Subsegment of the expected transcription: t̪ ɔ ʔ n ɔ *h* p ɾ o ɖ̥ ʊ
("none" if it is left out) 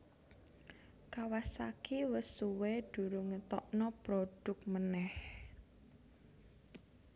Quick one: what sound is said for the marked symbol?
none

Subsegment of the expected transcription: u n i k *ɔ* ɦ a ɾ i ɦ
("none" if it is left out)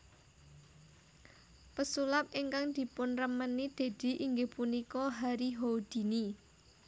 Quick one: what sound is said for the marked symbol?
ɔ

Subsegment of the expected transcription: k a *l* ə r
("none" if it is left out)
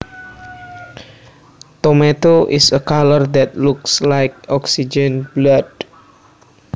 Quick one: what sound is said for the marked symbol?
l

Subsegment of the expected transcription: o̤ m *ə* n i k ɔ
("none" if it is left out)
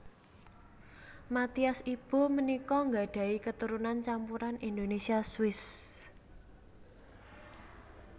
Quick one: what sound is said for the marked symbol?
ə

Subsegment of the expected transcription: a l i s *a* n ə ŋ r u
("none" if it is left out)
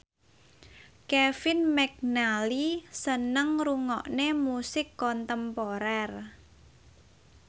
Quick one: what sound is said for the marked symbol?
ə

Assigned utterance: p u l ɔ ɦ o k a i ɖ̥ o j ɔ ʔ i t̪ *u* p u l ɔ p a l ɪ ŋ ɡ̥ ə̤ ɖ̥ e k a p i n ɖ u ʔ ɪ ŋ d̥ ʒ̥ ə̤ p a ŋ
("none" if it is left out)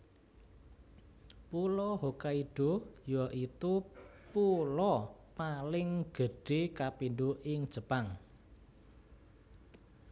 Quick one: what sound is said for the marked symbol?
u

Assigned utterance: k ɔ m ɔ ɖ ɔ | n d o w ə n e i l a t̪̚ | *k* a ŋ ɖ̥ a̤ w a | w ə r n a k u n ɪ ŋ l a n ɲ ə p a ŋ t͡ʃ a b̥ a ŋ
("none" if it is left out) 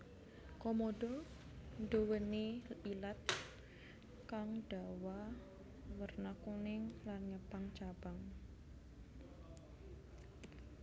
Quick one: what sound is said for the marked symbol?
k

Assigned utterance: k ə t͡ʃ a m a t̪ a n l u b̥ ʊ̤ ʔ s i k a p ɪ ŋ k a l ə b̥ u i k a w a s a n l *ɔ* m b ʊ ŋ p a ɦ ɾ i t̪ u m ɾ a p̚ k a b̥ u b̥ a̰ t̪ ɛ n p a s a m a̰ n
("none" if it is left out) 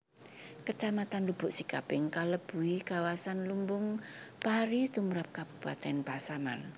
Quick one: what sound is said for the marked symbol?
u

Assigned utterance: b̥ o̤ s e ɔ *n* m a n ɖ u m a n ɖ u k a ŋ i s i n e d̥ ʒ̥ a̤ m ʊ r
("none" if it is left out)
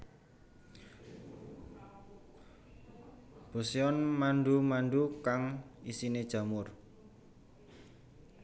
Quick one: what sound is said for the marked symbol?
n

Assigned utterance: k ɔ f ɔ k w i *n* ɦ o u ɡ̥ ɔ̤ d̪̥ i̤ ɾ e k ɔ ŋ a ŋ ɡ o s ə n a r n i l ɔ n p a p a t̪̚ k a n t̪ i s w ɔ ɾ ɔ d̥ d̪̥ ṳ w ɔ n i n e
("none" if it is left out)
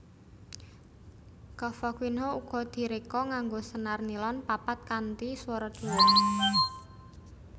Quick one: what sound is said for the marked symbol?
n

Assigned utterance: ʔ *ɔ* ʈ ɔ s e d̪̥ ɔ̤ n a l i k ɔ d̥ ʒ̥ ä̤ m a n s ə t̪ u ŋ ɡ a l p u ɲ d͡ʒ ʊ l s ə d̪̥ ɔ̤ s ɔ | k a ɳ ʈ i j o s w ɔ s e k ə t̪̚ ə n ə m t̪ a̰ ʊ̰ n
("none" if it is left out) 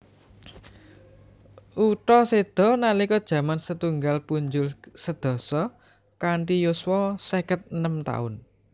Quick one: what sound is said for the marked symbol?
u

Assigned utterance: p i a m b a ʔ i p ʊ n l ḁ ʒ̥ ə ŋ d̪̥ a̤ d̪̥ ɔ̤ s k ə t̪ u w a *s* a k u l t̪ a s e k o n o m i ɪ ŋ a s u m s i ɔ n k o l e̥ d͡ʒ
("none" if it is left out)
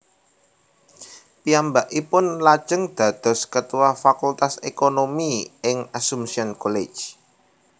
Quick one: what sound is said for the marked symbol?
f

